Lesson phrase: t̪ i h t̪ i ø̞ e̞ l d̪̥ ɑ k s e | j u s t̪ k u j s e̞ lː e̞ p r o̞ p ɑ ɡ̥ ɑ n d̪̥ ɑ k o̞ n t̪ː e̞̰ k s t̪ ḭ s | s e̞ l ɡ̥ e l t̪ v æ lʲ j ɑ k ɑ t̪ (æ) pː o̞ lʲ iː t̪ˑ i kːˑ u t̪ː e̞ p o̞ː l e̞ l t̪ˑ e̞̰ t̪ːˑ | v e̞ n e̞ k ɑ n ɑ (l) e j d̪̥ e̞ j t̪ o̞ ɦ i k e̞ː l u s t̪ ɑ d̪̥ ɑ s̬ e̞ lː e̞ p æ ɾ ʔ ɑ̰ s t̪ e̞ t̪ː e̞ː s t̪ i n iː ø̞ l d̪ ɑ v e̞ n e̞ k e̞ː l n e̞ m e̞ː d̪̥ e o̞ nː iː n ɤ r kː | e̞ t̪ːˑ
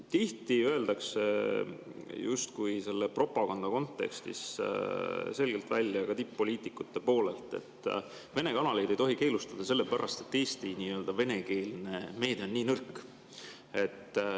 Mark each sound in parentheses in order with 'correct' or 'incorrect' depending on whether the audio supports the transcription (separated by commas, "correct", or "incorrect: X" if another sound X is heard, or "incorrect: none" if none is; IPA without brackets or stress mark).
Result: incorrect: i, correct